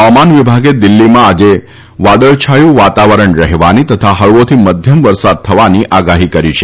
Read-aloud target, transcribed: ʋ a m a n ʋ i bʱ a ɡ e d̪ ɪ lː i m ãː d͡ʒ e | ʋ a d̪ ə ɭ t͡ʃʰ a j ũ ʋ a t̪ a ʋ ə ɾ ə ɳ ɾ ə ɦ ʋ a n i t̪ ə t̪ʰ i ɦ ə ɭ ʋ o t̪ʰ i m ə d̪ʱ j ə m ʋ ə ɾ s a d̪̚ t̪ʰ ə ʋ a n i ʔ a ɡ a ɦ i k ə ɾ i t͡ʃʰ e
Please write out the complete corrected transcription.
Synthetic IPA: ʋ a m a n ʋ i bʱ a ɡ e d̪ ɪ lː i m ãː d͡ʒ e | ʋ a d̪ ə ɭ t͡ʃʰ a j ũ ʋ a t̪ a ʋ ə ɾ ə ɳ ɾ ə ɦ ʋ a n i t̪ ə t̪ʰ a ɦ ə ɭ ʋ o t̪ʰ i m ə d̪ʱ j ə m ʋ ə ɾ s a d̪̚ t̪ʰ ə ʋ a n i ʔ a ɡ a ɦ i k ə ɾ i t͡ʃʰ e